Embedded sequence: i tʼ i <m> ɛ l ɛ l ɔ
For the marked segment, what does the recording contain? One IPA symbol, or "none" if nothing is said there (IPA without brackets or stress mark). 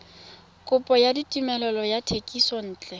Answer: m